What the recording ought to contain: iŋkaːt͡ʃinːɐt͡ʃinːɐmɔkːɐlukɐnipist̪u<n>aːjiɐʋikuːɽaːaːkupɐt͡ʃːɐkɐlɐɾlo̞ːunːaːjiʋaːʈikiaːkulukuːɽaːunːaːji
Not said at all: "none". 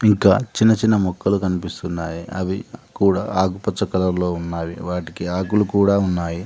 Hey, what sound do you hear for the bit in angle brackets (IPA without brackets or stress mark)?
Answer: nː